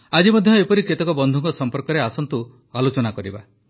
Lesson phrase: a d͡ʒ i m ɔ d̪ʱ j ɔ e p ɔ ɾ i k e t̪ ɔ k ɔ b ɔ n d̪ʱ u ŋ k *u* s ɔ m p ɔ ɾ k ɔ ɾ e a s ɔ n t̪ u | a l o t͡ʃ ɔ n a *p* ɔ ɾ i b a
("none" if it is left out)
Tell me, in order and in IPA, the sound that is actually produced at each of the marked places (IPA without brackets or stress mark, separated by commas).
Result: ɔ, k